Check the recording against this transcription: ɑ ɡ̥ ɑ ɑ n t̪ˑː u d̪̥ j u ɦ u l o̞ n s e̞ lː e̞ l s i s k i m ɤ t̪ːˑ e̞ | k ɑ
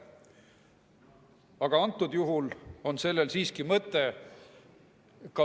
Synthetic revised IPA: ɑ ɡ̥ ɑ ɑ n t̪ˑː u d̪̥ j u ɦ u l o̞ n s e̞ lː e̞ l s iː s k i m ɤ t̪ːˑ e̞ | k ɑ